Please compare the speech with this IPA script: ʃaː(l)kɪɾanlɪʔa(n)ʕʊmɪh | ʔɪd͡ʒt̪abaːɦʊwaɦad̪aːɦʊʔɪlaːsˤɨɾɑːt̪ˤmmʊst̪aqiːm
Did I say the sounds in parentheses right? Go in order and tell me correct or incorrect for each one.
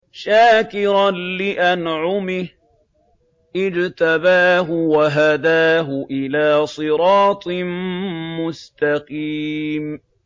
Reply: incorrect: none, correct

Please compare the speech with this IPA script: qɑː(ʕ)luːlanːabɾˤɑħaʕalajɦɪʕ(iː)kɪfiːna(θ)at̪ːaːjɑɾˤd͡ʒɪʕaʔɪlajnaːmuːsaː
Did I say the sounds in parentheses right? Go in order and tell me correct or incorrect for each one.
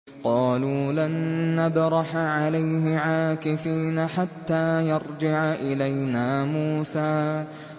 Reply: incorrect: none, incorrect: aː, incorrect: ħ

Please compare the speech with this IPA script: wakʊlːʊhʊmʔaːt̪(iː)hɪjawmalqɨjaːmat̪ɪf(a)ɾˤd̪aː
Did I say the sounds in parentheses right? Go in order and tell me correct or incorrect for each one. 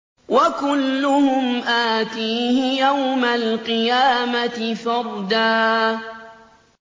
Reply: correct, incorrect: ɑ

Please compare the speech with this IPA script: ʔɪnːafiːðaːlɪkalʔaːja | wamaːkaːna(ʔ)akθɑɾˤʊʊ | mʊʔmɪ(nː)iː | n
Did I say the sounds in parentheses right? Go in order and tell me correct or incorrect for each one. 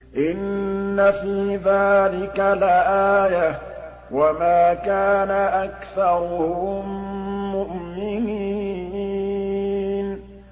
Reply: correct, incorrect: n

